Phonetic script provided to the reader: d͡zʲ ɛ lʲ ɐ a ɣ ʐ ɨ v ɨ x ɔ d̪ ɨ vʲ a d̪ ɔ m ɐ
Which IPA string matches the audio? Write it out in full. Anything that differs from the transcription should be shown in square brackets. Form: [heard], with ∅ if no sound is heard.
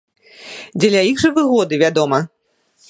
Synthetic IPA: d͡zʲ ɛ lʲ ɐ [i] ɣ ʐ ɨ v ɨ [ɣ] ɔ d̪ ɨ vʲ a d̪ ɔ m ɐ